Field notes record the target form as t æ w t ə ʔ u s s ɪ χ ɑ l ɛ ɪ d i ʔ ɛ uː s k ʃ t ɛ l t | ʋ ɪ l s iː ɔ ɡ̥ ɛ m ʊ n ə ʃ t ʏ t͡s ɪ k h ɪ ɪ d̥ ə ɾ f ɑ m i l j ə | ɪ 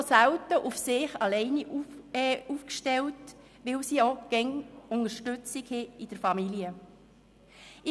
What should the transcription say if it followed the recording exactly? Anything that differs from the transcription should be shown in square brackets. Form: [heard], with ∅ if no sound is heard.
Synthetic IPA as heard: [s] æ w t ə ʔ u [f] s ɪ χ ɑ l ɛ ɪ [n] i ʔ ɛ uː [f] k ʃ t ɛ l t | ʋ ɪ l s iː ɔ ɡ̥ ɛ [ŋ] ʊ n ə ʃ t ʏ t͡s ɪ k h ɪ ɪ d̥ ə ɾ f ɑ m i l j ə | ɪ